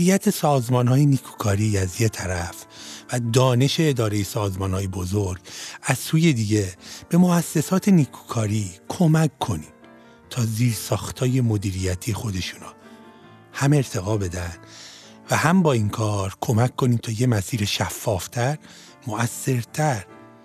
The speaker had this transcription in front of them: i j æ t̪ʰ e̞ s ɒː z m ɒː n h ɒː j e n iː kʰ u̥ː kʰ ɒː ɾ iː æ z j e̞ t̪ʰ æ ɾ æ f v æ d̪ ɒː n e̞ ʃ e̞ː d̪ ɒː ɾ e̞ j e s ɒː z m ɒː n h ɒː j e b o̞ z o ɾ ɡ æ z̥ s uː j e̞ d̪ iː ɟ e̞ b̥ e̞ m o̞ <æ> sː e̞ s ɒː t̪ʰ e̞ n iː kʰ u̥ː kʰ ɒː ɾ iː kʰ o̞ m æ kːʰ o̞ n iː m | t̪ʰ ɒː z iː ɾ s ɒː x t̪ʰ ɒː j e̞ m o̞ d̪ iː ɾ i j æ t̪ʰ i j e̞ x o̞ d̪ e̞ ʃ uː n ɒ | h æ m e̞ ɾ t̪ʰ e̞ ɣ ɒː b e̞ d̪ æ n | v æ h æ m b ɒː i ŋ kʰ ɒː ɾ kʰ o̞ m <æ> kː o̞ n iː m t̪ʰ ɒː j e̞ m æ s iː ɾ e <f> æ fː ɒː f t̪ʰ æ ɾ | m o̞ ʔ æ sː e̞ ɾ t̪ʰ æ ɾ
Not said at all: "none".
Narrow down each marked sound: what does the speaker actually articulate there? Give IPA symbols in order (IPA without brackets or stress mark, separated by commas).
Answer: æ, æ, ʃ